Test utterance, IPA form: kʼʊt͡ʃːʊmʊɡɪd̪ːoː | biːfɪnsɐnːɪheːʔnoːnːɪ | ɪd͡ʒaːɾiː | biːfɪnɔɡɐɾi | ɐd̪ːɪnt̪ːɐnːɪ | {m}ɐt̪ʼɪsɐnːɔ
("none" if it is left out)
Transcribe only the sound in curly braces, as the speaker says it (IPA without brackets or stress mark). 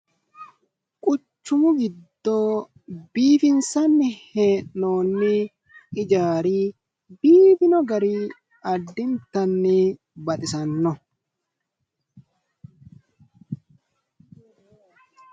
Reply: b